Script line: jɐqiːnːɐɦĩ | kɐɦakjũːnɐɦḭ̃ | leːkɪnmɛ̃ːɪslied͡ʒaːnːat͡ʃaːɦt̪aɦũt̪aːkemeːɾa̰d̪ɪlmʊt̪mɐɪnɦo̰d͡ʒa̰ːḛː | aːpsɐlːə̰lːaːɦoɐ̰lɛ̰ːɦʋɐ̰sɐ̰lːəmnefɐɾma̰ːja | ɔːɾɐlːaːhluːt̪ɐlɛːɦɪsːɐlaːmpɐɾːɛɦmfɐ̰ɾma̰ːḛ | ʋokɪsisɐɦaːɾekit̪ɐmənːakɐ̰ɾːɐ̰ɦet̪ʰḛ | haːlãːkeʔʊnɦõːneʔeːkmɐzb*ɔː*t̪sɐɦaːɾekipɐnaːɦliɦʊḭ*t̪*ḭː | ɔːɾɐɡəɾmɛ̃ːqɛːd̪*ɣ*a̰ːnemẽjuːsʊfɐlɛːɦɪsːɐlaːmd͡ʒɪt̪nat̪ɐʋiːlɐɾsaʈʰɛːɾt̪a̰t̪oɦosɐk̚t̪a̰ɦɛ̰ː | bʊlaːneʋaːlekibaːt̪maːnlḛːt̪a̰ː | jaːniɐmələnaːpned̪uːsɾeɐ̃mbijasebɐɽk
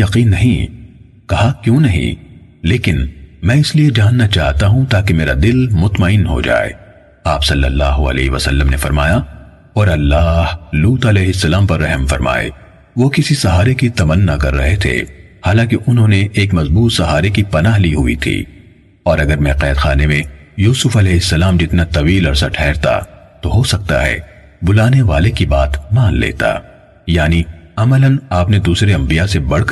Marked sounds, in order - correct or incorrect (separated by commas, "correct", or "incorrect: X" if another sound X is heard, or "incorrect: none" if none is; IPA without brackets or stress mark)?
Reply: incorrect: uː, incorrect: t̪ʰ, incorrect: x